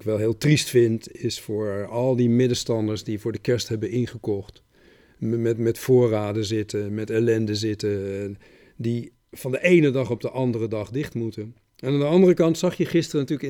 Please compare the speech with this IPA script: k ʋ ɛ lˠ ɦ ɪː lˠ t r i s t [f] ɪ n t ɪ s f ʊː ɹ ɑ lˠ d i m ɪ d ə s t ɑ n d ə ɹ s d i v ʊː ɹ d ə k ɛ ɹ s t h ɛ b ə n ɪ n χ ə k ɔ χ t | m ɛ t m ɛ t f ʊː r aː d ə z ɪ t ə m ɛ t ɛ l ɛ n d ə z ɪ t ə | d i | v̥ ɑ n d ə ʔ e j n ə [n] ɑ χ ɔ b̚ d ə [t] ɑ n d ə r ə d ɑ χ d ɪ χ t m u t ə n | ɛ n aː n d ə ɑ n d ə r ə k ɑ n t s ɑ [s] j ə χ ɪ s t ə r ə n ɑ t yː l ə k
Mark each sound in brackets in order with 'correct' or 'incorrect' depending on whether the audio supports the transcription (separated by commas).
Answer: correct, incorrect, incorrect, incorrect